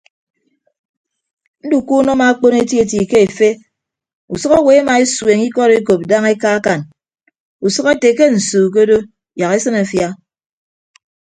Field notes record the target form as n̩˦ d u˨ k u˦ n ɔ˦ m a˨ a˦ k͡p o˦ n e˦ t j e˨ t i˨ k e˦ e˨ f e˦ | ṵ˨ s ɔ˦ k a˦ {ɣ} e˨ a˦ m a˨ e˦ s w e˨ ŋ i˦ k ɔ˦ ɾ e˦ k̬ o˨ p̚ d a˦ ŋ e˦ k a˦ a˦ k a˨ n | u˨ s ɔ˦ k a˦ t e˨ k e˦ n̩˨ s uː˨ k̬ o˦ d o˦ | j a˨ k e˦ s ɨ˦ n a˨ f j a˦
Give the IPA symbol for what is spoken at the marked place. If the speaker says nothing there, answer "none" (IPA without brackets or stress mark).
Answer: w